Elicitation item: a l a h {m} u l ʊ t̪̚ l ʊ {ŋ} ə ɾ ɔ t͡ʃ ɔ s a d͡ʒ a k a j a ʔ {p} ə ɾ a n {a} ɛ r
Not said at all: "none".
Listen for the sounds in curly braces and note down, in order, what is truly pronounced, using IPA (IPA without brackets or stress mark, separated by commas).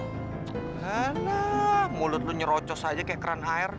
m, ɲ, k, a